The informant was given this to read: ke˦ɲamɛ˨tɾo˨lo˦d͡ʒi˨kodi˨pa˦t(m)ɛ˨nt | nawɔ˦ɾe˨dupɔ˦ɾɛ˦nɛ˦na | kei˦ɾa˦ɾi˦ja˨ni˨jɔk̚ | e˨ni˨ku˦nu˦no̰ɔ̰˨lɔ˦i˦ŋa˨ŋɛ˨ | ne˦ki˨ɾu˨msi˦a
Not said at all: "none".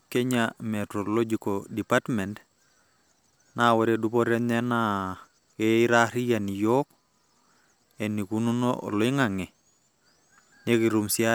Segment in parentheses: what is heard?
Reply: m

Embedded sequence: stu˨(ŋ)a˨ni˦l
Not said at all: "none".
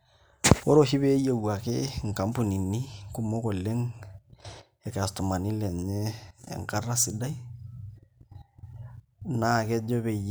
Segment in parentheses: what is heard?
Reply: m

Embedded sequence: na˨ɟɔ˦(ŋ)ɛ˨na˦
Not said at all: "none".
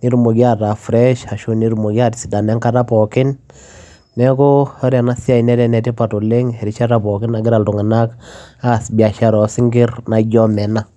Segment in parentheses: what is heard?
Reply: m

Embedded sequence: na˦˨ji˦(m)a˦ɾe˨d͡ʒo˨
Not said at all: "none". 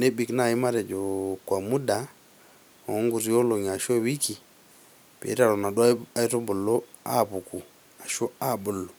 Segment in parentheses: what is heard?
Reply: m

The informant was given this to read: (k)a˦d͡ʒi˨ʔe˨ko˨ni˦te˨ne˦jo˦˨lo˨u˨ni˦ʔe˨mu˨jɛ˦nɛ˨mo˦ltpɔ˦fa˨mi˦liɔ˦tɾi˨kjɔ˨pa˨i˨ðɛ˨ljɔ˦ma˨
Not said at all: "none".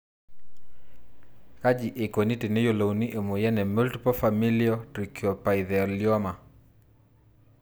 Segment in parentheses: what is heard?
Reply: k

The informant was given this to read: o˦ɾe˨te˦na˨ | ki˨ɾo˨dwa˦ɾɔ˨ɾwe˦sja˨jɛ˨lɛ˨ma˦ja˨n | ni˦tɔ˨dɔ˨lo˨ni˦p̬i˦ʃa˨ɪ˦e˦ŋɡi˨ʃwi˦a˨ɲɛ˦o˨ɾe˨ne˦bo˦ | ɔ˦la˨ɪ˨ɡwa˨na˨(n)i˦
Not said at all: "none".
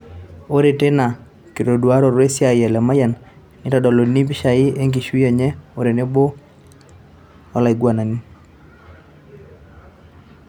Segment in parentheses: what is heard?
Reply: n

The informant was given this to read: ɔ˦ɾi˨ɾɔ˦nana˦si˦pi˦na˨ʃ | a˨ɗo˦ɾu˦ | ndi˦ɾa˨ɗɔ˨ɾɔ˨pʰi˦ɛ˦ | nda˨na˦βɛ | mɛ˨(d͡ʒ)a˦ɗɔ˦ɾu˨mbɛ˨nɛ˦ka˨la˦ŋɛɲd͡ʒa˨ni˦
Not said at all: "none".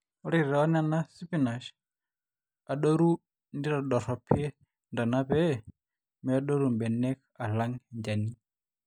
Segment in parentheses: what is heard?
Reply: none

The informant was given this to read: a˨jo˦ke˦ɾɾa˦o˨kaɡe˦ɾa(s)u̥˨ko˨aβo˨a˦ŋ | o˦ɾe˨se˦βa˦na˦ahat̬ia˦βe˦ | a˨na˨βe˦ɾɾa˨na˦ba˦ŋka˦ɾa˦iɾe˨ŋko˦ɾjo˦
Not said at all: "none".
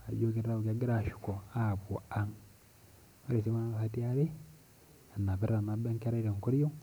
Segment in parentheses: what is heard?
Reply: ʃ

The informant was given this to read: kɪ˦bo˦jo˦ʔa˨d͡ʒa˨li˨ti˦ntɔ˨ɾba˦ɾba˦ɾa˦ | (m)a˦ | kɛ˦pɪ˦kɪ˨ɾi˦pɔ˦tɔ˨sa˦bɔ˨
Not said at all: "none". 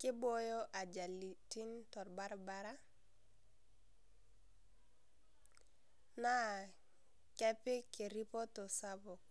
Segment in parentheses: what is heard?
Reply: n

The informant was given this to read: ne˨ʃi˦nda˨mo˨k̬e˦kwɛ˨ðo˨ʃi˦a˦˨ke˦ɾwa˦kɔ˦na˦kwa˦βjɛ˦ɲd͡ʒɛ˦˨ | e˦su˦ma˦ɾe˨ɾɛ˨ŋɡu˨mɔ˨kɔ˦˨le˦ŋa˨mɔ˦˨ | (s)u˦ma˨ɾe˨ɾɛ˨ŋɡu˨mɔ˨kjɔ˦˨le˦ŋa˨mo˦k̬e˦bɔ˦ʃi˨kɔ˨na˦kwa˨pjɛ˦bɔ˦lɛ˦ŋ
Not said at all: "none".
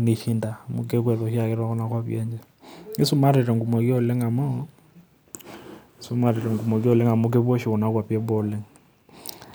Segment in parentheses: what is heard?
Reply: s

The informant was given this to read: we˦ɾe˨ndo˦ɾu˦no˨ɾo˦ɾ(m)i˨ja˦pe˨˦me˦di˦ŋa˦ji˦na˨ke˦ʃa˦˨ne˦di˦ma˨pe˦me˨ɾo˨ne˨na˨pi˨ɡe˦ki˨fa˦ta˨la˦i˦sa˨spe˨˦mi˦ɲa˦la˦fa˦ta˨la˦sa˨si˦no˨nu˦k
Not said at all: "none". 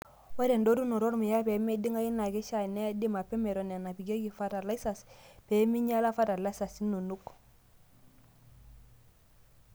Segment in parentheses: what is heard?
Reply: m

